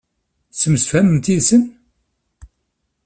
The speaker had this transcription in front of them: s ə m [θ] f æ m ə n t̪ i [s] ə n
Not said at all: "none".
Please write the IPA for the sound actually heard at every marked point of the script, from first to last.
s, s

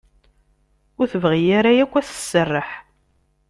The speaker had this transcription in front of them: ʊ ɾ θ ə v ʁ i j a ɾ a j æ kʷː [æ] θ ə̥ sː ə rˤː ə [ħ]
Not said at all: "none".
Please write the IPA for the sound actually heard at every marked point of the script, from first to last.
æ, ħ

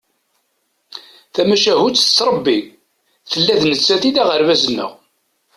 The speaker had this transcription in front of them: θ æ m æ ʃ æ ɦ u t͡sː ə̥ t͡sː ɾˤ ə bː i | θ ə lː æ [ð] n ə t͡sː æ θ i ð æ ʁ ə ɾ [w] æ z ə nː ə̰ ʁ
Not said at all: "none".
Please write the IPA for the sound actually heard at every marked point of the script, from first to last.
ð, v

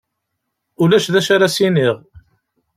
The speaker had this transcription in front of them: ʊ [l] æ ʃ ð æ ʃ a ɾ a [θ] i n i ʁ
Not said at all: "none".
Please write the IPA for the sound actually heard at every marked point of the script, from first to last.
l, s

